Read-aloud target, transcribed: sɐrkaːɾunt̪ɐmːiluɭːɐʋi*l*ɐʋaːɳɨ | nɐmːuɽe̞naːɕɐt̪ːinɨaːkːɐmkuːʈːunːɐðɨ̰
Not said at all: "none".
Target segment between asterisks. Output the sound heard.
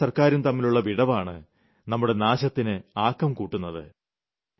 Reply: ɽ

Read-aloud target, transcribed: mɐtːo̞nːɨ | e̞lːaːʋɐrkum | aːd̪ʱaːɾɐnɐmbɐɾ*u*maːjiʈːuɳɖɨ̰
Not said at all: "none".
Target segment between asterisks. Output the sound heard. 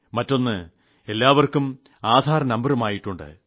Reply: u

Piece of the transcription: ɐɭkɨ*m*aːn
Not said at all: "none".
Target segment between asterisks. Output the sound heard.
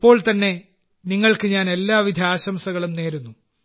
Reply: ɲ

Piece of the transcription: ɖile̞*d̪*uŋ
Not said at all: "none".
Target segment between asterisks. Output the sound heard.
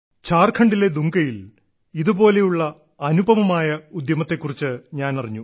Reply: d̪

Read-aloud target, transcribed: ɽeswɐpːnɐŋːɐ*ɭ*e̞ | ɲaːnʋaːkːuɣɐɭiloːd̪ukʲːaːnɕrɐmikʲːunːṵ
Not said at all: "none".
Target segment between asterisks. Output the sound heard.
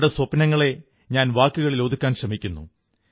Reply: ɭ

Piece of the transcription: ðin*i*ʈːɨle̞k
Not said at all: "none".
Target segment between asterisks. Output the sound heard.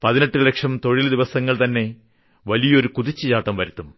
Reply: e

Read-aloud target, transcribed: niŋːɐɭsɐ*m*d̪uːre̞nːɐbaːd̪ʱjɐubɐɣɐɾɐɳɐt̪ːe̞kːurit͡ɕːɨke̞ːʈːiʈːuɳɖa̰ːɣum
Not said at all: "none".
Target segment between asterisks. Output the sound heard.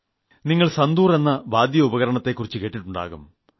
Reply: n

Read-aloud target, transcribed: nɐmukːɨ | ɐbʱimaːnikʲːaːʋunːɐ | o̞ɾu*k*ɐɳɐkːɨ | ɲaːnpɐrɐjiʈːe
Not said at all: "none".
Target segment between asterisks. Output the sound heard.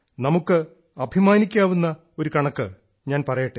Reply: k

